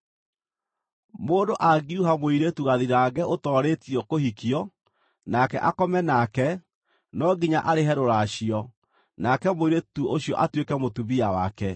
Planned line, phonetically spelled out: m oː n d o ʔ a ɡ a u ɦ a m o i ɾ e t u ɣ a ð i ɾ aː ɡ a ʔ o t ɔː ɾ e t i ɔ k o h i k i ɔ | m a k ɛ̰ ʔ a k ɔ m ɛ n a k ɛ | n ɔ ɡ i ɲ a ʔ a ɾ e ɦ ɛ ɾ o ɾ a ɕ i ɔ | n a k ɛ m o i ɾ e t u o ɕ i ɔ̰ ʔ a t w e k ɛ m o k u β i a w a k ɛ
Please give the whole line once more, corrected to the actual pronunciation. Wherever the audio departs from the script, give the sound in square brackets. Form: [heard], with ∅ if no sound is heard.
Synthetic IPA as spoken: m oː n d o ʔ a ɡ [i] u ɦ a m o i ɾ e t u ɣ a ð i ɾ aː ɡ [ɛ] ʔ o t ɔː ɾ e t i ɔ k o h i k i ɔ | [n] a k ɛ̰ ʔ a k ɔ m ɛ n a k ɛ | n ɔ ɡ i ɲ a ʔ a ɾ e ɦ ɛ ɾ o ɾ a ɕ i ɔ | n a k ɛ m o i ɾ e t u o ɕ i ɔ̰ ʔ a t w e k ɛ m o [t] u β i a w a k ɛ

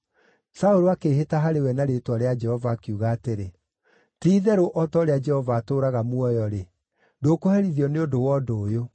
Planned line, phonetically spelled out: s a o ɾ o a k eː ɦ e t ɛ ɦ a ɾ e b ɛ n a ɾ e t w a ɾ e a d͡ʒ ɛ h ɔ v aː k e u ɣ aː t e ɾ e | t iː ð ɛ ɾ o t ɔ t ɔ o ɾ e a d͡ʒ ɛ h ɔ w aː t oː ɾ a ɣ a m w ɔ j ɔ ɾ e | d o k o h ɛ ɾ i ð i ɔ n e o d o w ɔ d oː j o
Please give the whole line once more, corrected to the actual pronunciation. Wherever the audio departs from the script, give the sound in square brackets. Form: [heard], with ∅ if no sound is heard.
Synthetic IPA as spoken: s a o ɾ o a k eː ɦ e t [a] ɦ a ɾ e [w] ɛ n a ɾ e t w a ɾ e a d͡ʒ ɛ h ɔ v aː k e u ɣ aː t e ɾ e | t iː ð ɛ ɾ o [ʔ] ɔ t ɔ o ɾ e a d͡ʒ ɛ h ɔ [v] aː t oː ɾ a ɣ a m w ɔ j ɔ ɾ e | d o k o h ɛ ɾ i ð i ɔ n e o d o w ɔ d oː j o

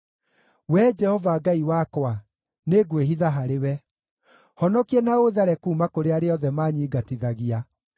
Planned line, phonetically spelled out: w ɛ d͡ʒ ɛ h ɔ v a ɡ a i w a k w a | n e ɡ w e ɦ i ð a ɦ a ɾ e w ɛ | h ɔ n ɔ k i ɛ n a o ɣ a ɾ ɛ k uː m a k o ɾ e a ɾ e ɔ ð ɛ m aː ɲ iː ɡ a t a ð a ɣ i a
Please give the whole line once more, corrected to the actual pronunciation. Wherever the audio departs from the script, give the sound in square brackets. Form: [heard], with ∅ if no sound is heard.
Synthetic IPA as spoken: w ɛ d͡ʒ ɛ h ɔ v a ɡ a i w a k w a | n e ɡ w e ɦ i ð a ɦ a ɾ e w ɛ | h ɔ n ɔ k i ɛ n a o [ð] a ɾ ɛ k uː m a k o ɾ e a ɾ e ɔ ð ɛ m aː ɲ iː ɡ a t [i] ð a ɣ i a

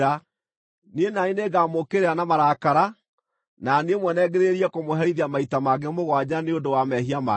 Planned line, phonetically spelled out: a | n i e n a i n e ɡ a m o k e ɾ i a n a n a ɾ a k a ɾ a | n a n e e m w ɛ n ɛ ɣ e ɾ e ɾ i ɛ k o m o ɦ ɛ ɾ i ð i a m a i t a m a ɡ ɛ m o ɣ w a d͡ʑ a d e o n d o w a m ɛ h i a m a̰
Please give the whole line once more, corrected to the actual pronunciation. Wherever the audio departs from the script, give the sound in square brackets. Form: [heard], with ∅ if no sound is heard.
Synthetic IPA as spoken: a | n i e n a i n e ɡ a m o k e ɾ [e] a n a [m] a ɾ a k a ɾ a | n a n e e m w ɛ n ɛ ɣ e ɾ e ɾ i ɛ k o m o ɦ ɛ ɾ i ð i a m a i t a m a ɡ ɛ m o ɣ w a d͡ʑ a [n] e o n d o w a m ɛ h i a m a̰

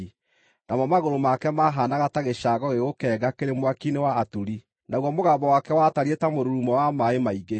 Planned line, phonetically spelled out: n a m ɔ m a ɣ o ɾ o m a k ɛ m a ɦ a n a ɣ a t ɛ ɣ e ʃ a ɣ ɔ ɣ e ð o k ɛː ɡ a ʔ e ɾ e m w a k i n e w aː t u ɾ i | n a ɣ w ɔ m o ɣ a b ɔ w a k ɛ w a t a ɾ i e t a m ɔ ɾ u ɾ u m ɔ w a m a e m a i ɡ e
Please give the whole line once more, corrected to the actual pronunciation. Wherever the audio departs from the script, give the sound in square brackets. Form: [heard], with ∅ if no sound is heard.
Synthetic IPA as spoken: n a m ɔ m a ɣ o ɾ o m a k ɛ m a ɦ a n a ɣ a t [a] ɣ e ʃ a ɣ ɔ ɣ e [ɣ] o k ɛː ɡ a [k] e ɾ e m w a k i n e w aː t u ɾ i | n a ɣ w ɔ m o ɣ a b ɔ w a k ɛ w a t a ɾ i e t a m [o] ɾ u ɾ u m ɔ w a m a e m a i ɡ e

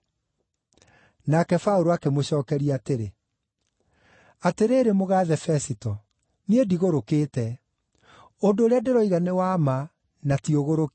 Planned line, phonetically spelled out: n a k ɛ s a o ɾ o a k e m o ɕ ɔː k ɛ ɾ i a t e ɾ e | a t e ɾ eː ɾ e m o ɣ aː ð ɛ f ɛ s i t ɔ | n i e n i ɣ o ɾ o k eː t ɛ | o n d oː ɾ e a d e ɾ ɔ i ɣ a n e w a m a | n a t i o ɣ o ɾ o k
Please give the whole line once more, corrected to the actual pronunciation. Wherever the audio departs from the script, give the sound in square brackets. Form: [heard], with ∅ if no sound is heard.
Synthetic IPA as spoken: n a k ɛ [f] a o ɾ o a k e m o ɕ ɔː k ɛ ɾ i a t e ɾ e | a t e ɾ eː ɾ e m o ɣ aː ð ɛ f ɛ s i t ɔ | n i e [d] i ɣ o ɾ o k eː t ɛ | o n d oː ɾ e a d e ɾ ɔ i ɣ a n e w a m a | n a t i o ɣ o ɾ o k

